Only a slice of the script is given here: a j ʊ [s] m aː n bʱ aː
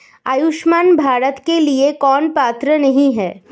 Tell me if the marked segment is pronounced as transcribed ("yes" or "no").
no